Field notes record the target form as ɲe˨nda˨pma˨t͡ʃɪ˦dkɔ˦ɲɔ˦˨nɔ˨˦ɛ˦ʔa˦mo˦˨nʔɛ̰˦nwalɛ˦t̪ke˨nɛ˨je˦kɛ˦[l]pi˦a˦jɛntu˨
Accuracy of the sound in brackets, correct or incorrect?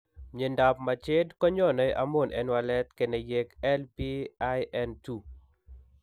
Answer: correct